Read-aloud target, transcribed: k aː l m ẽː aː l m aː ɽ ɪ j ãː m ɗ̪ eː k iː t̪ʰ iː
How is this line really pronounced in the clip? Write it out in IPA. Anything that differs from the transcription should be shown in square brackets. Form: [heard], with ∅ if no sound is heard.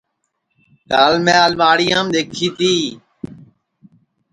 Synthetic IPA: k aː l m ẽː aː l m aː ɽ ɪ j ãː m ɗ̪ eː [kʰ] iː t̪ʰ iː

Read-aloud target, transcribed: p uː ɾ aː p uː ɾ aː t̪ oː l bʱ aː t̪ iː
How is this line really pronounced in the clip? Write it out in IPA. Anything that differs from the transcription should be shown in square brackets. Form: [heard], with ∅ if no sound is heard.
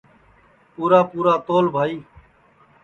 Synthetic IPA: p uː ɾ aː p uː ɾ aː t̪ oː l bʱ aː [∅] iː

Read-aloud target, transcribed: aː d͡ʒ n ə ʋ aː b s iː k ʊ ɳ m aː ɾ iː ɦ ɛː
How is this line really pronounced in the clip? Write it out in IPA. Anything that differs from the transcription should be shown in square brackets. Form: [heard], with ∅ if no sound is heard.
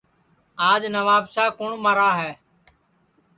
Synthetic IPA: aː d͡ʒ n ə ʋ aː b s [aː] k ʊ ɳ m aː ɾ [aː] ɦ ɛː

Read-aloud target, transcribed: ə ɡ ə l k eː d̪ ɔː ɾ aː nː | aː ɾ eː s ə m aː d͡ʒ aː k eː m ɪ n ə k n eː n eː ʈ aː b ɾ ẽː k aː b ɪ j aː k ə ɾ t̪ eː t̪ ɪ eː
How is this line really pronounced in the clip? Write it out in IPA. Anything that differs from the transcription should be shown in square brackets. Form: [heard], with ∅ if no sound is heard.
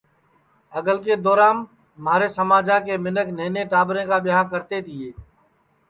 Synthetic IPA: ə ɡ ə l k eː d̪ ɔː ɾ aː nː | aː ɾ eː s ə m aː d͡ʒ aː k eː m ɪ n ə k n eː n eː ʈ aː b ɾ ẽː k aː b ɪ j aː k ə ɾ t̪ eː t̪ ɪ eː

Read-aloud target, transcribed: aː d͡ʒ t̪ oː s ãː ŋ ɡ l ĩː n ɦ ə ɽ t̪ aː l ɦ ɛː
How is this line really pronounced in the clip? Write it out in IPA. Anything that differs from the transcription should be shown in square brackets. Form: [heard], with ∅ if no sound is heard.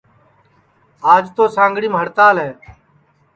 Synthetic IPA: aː d͡ʒ t̪ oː s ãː ŋ ɡ [ɽ] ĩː [m] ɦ ə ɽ t̪ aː l ɦ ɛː

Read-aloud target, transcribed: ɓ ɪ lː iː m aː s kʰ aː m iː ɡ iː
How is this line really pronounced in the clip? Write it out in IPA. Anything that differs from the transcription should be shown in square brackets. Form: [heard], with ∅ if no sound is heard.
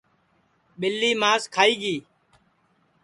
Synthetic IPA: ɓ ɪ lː iː m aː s kʰ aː [∅] iː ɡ iː

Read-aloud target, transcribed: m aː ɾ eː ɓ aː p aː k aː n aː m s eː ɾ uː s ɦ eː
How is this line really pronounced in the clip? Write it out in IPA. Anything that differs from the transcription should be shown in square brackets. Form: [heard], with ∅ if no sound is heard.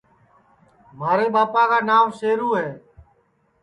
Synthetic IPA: m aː ɾ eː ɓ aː p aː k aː n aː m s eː ɾ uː [∅] ɦ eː

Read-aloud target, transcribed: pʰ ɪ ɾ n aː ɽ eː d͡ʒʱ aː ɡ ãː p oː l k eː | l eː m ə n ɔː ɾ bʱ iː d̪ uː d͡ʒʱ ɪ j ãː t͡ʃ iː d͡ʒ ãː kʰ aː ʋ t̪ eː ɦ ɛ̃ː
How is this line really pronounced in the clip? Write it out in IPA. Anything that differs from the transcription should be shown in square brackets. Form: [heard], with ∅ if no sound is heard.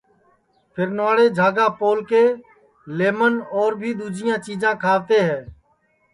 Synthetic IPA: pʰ ɪ ɾ n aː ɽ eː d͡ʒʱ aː ɡ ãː p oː l k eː | l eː m ə n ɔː ɾ bʱ iː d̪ uː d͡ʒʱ ɪ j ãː t͡ʃ iː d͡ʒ ãː kʰ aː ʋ t̪ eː ɦ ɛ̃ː

